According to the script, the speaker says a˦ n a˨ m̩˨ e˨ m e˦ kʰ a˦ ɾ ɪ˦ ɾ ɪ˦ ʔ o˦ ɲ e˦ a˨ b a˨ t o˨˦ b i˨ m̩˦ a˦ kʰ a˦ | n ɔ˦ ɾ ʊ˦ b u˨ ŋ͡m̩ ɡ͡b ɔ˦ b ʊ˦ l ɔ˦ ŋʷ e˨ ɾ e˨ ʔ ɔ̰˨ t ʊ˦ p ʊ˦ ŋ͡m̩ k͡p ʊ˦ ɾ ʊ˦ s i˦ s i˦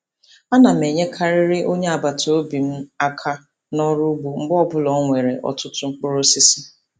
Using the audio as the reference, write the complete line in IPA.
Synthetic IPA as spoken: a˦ n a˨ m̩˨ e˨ ɲ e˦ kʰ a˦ ɾ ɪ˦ ɾ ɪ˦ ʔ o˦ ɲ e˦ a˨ b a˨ t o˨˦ b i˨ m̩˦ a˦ kʰ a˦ | n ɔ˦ ɾ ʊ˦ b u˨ ŋ͡m̩ ɡ͡b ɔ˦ b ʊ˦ l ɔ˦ ŋʷ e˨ ɾ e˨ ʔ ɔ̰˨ t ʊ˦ t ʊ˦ ŋ͡m̩ k͡p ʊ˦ ɾ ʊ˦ s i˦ s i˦